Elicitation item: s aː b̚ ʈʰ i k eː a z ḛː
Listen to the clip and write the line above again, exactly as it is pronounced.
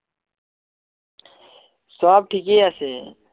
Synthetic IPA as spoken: s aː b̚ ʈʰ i k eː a s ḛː